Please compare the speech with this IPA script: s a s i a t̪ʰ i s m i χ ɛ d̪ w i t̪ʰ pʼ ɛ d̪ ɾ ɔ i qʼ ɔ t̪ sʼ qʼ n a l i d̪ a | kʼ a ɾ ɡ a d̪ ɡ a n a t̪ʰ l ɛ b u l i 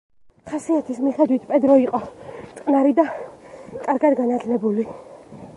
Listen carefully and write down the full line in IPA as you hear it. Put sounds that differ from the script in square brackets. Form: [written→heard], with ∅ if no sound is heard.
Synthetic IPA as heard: [s→χ] a s i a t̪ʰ i s m i χ ɛ d̪ w i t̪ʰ pʼ ɛ d̪ ɾ ɔ i qʼ ɔ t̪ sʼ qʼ n a [l→ɾ] i d̪ a | kʼ a ɾ ɡ a d̪ ɡ a n a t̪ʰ l ɛ b u l i